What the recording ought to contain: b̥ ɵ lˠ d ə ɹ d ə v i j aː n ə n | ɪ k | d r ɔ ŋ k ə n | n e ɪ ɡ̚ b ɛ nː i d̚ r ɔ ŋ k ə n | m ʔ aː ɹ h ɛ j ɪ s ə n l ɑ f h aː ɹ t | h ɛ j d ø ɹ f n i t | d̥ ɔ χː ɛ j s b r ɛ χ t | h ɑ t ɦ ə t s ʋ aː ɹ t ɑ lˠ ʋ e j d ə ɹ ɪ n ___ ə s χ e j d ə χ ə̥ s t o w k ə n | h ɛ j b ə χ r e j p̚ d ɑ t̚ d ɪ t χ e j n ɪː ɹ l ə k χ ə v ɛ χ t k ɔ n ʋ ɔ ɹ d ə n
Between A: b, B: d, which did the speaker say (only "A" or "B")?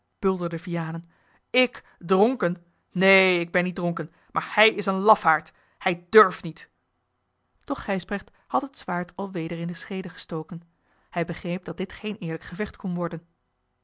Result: B